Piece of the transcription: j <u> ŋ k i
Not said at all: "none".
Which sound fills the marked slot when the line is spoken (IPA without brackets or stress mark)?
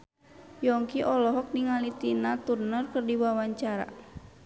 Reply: ɔ